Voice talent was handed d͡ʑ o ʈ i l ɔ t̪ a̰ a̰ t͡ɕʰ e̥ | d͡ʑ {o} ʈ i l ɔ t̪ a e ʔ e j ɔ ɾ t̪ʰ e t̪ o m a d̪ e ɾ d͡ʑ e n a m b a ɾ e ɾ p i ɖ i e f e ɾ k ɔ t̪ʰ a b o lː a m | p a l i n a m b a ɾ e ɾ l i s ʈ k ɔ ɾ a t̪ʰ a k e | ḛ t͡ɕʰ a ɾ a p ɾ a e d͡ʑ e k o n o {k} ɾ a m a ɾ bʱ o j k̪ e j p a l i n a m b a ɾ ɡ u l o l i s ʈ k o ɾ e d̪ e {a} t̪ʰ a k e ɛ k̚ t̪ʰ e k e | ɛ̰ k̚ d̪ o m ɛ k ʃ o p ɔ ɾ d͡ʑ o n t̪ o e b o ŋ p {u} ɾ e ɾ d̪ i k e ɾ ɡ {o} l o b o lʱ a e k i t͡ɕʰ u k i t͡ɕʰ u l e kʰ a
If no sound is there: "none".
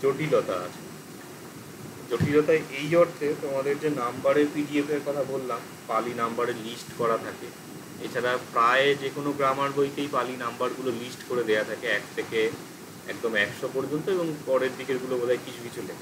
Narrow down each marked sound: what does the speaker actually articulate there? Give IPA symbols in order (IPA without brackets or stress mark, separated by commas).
o, ɡ, a, ɔ, u